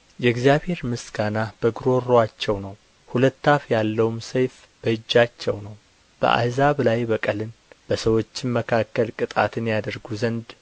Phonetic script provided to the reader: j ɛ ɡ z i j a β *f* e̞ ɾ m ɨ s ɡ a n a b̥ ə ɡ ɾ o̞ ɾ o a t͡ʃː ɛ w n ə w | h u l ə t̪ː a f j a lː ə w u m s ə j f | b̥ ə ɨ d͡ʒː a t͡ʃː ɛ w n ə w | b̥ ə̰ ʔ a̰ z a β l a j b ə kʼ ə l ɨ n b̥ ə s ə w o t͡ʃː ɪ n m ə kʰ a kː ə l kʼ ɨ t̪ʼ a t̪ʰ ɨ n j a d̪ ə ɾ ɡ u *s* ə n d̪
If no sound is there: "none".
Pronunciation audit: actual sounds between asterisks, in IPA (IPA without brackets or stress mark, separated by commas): h, z